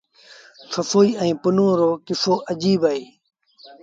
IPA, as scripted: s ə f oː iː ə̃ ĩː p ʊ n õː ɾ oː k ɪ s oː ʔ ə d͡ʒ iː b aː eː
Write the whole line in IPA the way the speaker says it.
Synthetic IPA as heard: s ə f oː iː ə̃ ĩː p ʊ n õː ɾ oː k ɪ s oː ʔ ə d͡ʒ iː b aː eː